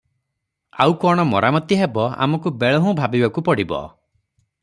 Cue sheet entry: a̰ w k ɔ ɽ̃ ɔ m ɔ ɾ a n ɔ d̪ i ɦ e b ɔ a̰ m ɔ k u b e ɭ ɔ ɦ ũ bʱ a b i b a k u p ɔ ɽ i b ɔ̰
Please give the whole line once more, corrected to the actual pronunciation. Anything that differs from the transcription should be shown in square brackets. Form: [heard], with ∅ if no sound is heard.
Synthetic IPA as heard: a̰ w k ɔ ɽ̃ ɔ m ɔ ɾ a [m] ɔ [t̪] i ɦ e b ɔ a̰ m ɔ k u b e ɭ ɔ ɦ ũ bʱ a b i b a k u p ɔ ɽ i b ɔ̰